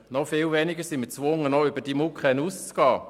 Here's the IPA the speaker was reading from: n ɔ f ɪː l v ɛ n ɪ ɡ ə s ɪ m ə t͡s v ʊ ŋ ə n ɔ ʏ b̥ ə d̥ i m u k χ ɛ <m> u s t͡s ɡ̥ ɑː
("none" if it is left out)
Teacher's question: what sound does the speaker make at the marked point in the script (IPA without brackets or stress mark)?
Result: n